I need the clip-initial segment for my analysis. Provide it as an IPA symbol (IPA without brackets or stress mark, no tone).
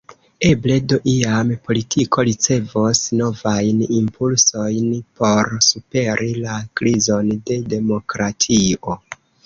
e̞